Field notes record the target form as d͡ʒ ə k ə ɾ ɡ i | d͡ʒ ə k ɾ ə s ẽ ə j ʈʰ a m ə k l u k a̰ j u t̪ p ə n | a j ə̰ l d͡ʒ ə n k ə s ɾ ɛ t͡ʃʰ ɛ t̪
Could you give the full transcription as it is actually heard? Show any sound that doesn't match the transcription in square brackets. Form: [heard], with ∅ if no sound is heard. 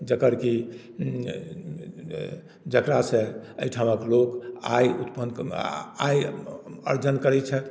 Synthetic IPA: d͡ʒ ə k ə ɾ [k] i | d͡ʒ ə k ɾ [a] s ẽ ə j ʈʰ a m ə k l [o] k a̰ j u t̪ p ə n | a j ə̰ [ɾ] d͡ʒ ə n k ə [∅] ɾ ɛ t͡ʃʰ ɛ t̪